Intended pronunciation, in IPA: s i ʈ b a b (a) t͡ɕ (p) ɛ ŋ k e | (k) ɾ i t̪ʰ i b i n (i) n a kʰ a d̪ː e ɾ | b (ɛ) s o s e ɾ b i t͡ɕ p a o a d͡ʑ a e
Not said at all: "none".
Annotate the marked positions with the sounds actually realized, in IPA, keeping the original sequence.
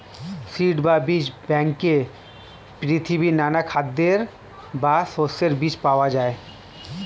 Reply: i, b, p, a, a

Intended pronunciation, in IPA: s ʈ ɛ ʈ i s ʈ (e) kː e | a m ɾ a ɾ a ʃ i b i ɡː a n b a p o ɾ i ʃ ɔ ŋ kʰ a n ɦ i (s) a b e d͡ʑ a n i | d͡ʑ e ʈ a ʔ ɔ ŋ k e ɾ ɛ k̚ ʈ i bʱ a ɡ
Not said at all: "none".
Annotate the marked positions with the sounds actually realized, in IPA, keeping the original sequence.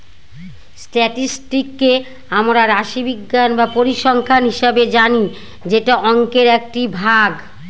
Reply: i, ʃ

